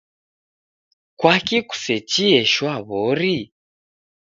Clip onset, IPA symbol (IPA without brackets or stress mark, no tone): k